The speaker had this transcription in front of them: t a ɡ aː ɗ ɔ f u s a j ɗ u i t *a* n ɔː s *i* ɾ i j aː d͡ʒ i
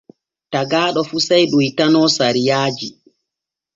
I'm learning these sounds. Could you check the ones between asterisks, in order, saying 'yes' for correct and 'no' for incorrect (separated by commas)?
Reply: yes, no